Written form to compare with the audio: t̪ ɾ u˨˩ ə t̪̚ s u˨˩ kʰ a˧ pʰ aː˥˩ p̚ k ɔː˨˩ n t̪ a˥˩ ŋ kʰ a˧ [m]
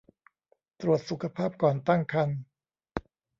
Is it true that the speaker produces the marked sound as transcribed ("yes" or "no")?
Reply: no